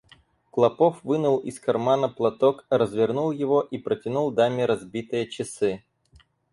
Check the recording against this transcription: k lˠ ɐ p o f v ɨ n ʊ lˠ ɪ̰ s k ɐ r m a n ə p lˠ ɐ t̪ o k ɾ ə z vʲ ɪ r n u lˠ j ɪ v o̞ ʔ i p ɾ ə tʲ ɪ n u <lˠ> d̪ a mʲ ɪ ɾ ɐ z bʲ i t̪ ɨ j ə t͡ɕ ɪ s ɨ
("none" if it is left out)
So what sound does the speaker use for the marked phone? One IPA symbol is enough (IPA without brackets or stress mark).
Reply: lˠ